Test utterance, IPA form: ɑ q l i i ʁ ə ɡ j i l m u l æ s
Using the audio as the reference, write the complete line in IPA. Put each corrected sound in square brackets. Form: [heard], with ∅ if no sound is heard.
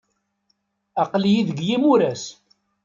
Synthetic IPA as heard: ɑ q l [j] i [ð] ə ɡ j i [∅] m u [ɾ] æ s